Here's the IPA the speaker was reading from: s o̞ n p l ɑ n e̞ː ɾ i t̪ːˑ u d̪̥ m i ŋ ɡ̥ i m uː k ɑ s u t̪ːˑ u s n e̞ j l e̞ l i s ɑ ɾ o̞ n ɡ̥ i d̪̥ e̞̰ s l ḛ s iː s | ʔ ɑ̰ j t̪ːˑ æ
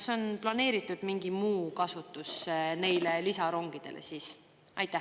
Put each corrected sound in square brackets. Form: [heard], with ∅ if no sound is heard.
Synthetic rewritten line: s o̞ n p l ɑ n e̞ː ɾ i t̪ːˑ u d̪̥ m i ŋ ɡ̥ i m uː k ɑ s u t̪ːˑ u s n e̞ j l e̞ l i s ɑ ɾ o̞ [ŋ] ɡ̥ i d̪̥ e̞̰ [∅] l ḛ s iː s | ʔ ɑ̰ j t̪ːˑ æ

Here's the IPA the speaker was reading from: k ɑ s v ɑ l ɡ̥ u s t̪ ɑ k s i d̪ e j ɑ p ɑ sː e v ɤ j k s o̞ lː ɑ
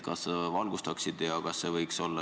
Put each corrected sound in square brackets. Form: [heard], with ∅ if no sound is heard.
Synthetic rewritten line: k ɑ s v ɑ l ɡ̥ u s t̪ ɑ k s i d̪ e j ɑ [k] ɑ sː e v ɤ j k s o̞ lː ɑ

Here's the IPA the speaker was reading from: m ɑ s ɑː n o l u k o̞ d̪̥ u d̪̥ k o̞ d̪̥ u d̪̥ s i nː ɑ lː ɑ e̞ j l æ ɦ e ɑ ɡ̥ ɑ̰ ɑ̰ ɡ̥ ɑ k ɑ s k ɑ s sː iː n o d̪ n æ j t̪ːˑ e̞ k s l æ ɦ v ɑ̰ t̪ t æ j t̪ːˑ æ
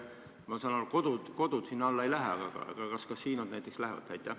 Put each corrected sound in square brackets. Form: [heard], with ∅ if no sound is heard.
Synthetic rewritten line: m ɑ s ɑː n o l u k o̞ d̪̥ u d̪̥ k o̞ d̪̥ u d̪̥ s i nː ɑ lː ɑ e̞ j l æ ɦ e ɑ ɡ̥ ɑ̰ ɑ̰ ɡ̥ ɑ k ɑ s k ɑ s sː iː n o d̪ n æ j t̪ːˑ e̞ k s l æ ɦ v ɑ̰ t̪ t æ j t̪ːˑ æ

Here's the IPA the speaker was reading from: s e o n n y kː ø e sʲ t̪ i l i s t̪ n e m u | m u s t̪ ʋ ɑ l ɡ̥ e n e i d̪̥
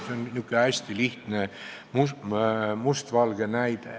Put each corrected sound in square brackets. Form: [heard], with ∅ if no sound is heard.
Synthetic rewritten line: s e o n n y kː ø [æ] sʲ t̪ i l i [h] t̪ n e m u | m u s t̪ ʋ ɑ l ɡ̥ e n [æ] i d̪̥

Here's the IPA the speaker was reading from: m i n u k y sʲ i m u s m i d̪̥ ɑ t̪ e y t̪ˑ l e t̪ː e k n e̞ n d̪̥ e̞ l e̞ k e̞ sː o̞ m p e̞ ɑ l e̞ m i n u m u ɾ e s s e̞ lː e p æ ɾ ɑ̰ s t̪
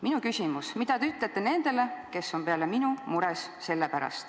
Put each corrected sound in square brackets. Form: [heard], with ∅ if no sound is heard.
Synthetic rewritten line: m i n u k y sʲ i m u s m i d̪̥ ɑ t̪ e y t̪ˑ l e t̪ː e [∅] n e̞ n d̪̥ e̞ l e̞ k e̞ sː o̞ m p e̞ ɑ l e̞ m i n u m u ɾ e s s e̞ lː e p æ ɾ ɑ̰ s t̪

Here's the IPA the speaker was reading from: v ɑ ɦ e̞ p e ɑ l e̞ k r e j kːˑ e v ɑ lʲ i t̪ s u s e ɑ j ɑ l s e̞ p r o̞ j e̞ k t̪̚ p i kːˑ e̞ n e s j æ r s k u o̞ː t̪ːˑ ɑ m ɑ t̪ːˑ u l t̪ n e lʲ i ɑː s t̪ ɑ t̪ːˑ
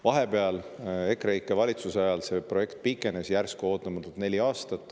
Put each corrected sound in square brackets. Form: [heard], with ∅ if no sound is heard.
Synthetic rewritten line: v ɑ ɦ e̞ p e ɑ l e̞ k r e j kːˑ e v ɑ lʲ i t̪ s u s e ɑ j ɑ l s e̞ p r o̞ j e̞ k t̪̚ p i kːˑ e̞ n e s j æ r s k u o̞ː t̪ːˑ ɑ m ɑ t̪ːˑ u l t̪ n e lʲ i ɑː s t̪ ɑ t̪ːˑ

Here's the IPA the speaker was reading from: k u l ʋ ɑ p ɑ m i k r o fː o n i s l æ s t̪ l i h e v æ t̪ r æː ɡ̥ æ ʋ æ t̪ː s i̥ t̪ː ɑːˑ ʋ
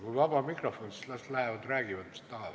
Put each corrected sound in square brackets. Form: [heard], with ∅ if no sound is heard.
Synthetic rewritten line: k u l ʋ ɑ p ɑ m i k r o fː o n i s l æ s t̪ l [æ] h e [ʋ] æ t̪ r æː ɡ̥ [i] ʋ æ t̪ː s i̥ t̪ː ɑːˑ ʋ

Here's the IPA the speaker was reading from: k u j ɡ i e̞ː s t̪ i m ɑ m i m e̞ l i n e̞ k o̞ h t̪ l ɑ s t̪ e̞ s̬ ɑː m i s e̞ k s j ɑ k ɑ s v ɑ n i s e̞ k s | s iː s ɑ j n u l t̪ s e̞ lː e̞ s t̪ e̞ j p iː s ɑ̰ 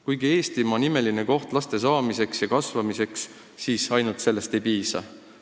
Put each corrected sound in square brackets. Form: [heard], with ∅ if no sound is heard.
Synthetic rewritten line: k u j ɡ i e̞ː s t̪ i m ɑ [n] i m e̞ l i n e̞ k o̞ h t̪ l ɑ s t̪ e̞ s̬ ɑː m i s e̞ k s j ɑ k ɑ s v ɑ [m] i s e̞ k s | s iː s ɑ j n u l t̪ s e̞ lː e̞ s t̪ e̞ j p iː s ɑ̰

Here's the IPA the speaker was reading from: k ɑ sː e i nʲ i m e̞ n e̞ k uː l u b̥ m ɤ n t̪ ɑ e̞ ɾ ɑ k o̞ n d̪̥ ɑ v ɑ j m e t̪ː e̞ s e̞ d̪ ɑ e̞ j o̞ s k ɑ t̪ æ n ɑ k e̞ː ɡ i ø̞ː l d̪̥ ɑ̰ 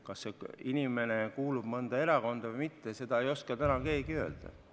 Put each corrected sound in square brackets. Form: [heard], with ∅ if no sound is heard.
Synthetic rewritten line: k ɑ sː e i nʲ i m e̞ n e̞ k uː l u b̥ m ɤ n [d̪] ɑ e̞ ɾ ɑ k o̞ n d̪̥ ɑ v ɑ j m [i] t̪ː e̞ s e̞ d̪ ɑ e̞ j o̞ s k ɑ t̪ æ n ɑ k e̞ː ɡ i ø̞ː l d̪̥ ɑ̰

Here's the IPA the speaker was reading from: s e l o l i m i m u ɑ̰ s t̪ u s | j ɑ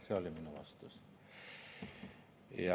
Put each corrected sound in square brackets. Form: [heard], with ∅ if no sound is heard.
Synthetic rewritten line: s e [∅] o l i m i [n] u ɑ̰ s t̪ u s | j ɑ

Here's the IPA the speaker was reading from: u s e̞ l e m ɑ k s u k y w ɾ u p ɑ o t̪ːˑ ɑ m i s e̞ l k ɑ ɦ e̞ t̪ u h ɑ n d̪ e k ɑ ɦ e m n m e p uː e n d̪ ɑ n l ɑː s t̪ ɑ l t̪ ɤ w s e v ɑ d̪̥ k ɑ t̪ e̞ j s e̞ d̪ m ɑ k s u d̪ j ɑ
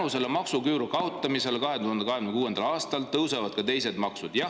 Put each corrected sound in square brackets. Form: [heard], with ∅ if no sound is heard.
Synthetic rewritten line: u s e̞ l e m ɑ k s u k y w ɾ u [k] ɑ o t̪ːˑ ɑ m i s e̞ l k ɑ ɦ e̞ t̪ u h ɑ n d̪ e k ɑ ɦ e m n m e [k] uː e n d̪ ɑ [∅] l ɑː s t̪ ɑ l t̪ ɤ w s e v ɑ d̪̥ k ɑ t̪ e̞ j s e̞ d̪ m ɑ k s u d̪ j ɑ

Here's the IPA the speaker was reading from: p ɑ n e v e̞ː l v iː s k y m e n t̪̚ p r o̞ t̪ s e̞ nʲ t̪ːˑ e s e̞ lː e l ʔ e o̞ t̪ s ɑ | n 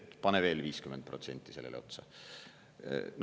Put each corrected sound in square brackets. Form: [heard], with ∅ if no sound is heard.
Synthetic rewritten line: p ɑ n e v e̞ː l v iː s k y m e n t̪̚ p r o̞ t̪ s e̞ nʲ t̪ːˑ [i] s e̞ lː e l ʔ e o̞ t̪ s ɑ | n

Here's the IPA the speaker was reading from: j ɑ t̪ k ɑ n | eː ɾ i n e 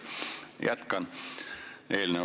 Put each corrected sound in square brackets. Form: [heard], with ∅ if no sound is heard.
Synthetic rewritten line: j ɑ t̪ k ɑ n | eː [l] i n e

